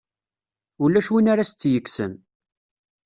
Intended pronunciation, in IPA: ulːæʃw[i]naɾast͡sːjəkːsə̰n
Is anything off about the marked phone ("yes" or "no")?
no